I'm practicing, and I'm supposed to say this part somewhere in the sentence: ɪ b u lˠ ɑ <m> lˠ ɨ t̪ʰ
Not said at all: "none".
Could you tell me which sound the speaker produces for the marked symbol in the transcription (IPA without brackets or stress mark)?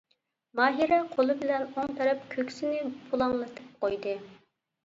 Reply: ŋ